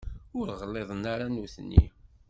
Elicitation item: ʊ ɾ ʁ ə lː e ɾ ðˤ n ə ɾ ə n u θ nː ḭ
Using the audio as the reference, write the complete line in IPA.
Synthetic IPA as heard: ʊ ɾ ʁ ə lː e ðˤ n a ɾ a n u θ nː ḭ